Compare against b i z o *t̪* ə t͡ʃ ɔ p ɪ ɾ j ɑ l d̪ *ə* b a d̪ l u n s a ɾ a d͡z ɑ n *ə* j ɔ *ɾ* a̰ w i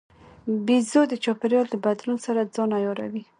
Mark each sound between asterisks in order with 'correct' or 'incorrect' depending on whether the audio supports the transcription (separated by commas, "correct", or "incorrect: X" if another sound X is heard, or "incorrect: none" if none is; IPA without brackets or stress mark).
incorrect: d̪, correct, incorrect: a, correct